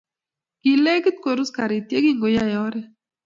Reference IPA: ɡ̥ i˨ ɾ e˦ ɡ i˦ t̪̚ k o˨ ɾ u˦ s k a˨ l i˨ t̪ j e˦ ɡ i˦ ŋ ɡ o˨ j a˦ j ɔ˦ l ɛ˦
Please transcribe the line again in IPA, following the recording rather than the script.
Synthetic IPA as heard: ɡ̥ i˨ l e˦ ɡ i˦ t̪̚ k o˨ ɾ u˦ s k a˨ ɾ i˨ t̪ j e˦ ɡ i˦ ŋ ɡ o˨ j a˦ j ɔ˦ ɾ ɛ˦